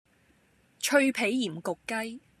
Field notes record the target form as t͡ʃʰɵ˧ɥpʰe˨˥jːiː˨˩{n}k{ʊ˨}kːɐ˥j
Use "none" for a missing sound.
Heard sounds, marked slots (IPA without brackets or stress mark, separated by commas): m, ʊ˨